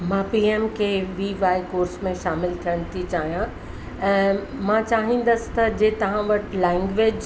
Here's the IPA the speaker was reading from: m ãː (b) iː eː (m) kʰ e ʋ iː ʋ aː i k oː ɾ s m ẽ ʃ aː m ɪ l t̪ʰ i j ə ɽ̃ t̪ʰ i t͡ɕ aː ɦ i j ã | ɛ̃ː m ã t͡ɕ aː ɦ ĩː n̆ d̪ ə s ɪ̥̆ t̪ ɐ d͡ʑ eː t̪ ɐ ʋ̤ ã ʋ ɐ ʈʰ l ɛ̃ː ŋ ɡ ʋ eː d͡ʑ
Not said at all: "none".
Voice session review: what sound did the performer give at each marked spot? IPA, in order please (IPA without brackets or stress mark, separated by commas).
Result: p, m